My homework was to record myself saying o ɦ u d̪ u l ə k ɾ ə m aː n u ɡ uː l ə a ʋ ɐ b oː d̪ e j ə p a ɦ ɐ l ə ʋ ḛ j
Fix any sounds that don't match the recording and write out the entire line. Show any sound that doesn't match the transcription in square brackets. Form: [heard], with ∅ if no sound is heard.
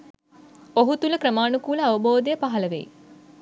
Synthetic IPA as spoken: o ɦ u [t̪] u l ə k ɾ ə m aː n u [k] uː l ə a ʋ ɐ b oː d̪ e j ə p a ɦ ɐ l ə ʋ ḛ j

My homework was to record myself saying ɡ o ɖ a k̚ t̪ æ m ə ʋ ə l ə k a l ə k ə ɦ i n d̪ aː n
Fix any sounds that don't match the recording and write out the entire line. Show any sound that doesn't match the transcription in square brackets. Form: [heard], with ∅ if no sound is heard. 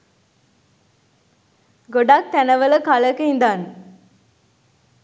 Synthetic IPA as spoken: ɡ o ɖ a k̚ t̪ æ [n] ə ʋ ə l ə k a l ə k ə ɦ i n d̪ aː n

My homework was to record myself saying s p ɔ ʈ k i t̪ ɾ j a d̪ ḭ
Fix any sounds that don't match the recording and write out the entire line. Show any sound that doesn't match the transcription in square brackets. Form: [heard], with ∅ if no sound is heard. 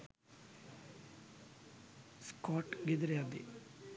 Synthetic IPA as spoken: s [k] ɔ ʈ [ɡ] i [d̪] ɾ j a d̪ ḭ

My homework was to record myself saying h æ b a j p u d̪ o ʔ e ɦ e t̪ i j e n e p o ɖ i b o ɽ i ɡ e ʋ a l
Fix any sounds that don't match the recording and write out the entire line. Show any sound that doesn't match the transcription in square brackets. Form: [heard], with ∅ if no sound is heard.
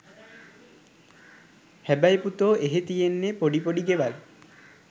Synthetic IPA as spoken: h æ b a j p u [t̪] o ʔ e ɦ e t̪ i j e [nː] e p o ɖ i [p] o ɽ i ɡ e ʋ a l

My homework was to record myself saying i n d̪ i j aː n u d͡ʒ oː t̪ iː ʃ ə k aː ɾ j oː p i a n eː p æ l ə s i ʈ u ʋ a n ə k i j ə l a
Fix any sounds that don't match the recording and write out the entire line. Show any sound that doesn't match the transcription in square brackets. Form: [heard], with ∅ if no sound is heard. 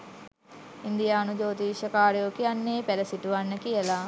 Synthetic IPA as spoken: i n d̪ i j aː n u d͡ʒ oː t̪ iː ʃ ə k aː ɾ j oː [k] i a [nː] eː p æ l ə s i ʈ u ʋ a [nː] ə k i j ə l a

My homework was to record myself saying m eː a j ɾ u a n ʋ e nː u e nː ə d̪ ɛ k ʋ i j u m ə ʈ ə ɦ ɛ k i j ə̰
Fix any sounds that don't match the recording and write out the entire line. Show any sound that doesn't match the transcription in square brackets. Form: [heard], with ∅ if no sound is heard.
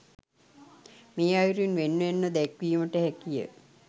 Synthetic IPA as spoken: m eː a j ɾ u [i] n ʋ e nː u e nː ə d̪ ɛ k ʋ i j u m ə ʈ ə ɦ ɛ k i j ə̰

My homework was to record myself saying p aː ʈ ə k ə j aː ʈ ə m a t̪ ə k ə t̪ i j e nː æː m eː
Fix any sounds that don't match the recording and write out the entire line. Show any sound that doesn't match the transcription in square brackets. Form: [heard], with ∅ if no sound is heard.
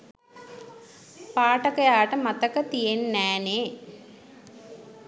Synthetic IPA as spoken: p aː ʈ ə k ə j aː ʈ ə m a t̪ ə k ə t̪ i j e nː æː [n] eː

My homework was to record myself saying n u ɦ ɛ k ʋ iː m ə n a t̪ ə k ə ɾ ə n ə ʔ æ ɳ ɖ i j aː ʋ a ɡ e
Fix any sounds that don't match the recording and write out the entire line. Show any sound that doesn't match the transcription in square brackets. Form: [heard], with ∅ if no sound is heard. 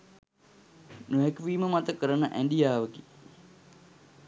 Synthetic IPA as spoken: n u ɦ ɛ k ʋ iː m ə [m] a t̪ ə k ə ɾ ə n ə ʔ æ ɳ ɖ i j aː ʋ [ə] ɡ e

